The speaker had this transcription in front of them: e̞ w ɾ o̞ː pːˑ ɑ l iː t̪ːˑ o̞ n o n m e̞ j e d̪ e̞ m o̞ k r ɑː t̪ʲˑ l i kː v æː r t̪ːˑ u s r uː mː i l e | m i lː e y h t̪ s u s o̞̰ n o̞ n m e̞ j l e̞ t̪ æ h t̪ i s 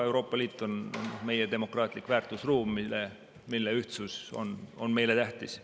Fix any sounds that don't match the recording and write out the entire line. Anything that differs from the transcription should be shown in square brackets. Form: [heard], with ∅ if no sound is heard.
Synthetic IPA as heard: e̞ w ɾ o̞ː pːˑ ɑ l iː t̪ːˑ o̞ n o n m e̞ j e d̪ e̞ m o̞ k r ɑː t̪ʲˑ l i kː v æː r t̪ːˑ u s r uː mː i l e | m i lː e y h t̪ s u s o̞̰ n o̞ n m e̞ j l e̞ t̪ æ h t̪ i s